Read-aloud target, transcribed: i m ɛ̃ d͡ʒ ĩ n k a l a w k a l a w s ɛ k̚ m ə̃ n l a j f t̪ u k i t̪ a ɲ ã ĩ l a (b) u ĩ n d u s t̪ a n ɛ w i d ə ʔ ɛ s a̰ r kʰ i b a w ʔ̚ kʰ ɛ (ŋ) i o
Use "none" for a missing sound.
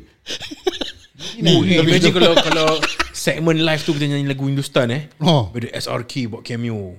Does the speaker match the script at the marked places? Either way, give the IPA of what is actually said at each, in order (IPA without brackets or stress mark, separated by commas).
ɡ, m